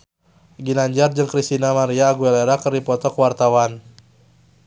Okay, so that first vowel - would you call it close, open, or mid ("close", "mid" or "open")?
close